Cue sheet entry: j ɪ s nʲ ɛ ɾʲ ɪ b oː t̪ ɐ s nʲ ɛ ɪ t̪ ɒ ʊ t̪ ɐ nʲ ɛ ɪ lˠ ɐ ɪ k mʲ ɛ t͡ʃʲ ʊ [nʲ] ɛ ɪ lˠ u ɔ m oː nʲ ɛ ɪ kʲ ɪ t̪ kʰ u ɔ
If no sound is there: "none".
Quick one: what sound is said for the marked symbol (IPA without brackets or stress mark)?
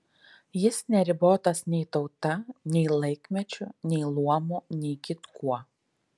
nʲ